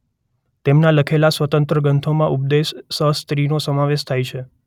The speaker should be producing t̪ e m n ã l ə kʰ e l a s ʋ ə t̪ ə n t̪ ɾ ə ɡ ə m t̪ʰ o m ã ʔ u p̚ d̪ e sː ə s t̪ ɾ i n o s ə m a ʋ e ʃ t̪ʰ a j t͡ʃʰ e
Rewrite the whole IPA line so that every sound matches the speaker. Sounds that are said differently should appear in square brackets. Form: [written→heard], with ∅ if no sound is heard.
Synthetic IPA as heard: t̪ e m n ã l ə kʰ e l a s ʋ ə t̪ ə n t̪ ɾ ə ɡ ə [m→n] t̪ʰ o m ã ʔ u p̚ d̪ e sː ə s t̪ ɾ i n o s ə m a ʋ e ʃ t̪ʰ a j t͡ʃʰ e